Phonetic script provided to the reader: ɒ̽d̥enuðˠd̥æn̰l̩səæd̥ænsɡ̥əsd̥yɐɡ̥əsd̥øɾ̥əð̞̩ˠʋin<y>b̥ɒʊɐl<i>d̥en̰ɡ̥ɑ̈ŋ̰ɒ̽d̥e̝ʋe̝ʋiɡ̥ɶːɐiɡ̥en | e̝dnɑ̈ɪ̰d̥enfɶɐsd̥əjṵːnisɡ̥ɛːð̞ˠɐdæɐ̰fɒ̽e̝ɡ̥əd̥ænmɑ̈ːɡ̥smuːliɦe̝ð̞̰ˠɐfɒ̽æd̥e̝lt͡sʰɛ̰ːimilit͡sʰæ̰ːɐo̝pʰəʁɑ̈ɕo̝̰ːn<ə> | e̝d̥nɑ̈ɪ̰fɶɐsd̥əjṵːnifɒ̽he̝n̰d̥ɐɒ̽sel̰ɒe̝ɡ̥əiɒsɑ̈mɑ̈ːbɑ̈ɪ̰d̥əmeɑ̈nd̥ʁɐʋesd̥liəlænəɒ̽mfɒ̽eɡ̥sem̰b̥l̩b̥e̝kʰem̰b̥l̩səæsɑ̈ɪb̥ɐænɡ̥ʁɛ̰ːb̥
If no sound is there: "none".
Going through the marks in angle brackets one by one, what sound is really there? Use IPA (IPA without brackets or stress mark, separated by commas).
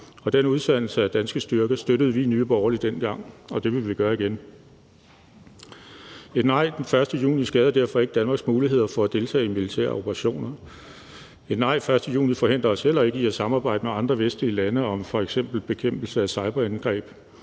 yː, i, ɐ